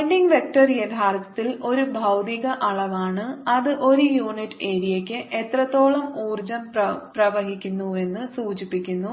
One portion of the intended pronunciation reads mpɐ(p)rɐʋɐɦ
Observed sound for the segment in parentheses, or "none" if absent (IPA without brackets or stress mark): p